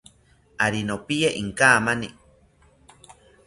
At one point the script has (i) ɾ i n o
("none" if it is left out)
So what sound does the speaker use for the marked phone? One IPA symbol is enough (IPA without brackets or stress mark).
a